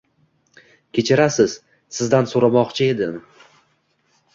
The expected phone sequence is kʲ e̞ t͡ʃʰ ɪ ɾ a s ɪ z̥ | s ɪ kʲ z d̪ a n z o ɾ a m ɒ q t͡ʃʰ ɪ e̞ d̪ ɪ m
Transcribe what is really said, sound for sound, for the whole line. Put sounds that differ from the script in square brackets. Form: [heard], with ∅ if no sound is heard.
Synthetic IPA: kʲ e̞ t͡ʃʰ ɪ ɾ a s ɪ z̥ | s ɪ [∅] z d̪ a n [s] o ɾ a m ɒ q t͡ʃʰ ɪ e̞ d̪ ɪ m